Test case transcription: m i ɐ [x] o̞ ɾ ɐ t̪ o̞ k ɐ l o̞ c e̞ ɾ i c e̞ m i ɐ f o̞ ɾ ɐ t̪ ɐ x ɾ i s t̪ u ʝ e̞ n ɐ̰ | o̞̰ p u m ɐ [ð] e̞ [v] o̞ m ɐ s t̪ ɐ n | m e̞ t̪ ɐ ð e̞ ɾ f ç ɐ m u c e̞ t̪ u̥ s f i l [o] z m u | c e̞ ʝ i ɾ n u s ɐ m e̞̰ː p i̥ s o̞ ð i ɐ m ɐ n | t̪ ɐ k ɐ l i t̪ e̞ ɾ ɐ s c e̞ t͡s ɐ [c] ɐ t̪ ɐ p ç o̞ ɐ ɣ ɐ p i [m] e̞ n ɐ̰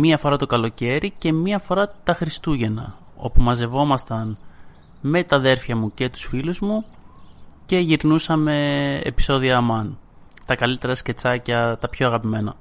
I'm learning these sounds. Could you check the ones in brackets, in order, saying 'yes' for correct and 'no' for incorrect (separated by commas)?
no, no, yes, no, yes, yes